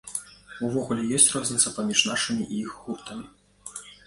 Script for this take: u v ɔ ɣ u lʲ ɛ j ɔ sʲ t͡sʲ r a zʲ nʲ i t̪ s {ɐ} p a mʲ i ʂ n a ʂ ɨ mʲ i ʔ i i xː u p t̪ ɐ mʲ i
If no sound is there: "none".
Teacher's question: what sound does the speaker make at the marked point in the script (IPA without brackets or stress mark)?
ɐ